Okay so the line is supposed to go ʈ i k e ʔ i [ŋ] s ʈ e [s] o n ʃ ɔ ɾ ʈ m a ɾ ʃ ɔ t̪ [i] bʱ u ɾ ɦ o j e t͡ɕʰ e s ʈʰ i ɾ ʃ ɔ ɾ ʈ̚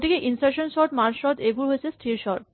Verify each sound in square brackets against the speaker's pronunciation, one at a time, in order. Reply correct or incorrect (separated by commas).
incorrect, incorrect, incorrect